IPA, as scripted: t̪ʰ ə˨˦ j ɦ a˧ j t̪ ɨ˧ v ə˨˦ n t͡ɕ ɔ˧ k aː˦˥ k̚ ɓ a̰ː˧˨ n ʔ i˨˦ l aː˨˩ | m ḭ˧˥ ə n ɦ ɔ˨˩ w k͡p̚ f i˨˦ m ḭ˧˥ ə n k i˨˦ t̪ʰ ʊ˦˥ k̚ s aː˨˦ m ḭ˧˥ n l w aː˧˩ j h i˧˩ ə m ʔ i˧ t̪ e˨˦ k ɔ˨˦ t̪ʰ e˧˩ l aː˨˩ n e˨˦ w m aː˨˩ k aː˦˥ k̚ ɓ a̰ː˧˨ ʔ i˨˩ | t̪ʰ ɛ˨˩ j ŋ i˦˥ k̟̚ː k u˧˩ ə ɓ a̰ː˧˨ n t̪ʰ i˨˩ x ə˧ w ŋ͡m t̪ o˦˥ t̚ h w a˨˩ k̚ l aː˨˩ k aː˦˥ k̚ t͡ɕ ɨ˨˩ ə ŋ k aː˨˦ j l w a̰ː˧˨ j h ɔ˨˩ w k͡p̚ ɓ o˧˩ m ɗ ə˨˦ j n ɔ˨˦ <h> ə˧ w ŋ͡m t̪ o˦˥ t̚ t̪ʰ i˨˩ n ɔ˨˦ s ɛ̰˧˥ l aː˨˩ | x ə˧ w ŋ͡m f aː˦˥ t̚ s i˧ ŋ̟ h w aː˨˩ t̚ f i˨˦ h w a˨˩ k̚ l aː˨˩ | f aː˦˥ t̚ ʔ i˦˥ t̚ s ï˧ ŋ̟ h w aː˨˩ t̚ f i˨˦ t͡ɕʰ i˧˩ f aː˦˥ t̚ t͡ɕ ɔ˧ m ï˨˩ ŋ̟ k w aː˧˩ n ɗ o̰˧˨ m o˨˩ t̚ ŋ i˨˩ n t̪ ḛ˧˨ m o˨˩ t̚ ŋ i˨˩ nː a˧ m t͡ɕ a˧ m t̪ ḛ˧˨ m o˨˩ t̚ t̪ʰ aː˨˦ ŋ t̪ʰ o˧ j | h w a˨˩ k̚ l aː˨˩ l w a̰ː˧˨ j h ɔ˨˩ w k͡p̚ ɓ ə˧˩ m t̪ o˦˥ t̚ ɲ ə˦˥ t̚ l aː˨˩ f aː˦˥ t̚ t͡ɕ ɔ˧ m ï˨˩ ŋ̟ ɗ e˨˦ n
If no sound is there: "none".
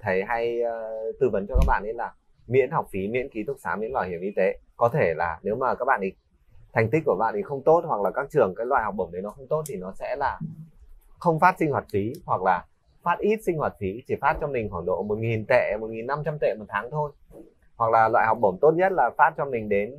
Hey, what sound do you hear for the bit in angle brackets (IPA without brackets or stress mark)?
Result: x